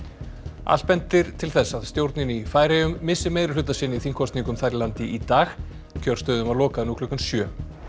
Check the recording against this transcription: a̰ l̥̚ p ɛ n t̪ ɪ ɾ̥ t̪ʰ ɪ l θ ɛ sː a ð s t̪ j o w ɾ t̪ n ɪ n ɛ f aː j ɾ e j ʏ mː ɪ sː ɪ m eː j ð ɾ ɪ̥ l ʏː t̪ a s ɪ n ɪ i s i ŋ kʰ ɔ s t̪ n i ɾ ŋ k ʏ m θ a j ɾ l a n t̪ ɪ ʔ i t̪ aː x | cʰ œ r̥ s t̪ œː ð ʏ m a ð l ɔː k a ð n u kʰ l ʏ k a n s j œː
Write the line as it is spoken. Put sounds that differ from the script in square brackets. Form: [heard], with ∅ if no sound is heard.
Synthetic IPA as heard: a̰ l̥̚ p ɛ n t̪ ɪ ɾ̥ t̪ʰ ɪ l θ ɛ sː a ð s t̪ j o w ɾ t̪ n ɪ n [i] f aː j ɾ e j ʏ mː ɪ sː ɪ m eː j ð ɾ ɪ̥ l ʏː t̪ a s ɪ n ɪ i [θ] i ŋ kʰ ɔ s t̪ n i [∅] ŋ k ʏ m θ a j ɾ l a n t̪ ɪ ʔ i t̪ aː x | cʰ œ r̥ s t̪ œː ð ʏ m a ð l ɔː k a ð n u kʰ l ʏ k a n s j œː